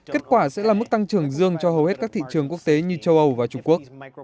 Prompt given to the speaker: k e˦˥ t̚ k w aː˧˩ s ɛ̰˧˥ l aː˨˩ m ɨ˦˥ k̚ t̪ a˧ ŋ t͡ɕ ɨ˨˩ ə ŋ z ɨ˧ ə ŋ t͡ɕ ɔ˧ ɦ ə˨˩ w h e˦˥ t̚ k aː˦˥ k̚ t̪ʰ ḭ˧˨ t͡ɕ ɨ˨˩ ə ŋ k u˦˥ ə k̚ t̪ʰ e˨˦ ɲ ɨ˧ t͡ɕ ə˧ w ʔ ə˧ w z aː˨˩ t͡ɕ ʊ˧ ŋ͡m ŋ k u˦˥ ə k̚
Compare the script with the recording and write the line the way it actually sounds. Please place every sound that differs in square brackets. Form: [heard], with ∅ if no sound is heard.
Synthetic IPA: k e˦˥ t̚ k w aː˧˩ s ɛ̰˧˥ l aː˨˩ m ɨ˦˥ k̚ t̪ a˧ ŋ t͡ɕ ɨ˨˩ ə ŋ z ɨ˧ ə ŋ t͡ɕ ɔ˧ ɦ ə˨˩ w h e˦˥ t̚ k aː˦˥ k̚ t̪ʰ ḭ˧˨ t͡ɕ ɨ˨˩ ə ŋ k u˦˥ ə k̚ [t̪] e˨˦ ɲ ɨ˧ t͡ɕ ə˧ w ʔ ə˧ w [v] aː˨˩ t͡ɕ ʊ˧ ŋ͡m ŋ k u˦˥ ə k̚